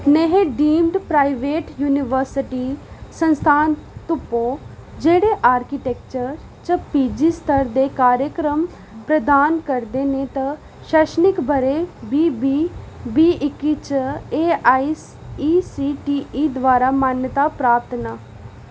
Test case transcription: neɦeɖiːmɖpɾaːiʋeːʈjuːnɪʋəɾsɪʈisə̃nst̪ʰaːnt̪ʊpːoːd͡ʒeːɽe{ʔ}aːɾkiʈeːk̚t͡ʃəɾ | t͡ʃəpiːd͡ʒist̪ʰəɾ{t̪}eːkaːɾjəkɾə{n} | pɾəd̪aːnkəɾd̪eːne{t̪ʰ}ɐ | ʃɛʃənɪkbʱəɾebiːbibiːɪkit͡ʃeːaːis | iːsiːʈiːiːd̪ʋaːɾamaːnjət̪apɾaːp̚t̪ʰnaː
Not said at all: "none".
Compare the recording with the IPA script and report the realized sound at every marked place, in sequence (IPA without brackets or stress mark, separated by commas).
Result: ʔ, d̪, m, t̪